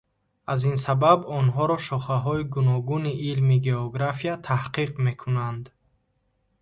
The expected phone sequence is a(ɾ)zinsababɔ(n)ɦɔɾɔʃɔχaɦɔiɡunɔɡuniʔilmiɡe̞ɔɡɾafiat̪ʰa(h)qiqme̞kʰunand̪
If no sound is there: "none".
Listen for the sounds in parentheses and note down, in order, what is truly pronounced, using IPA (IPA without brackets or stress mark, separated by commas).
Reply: none, n, h